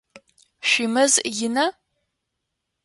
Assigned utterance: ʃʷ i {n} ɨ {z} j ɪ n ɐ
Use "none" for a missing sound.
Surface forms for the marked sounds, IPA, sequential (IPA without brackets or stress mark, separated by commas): m, z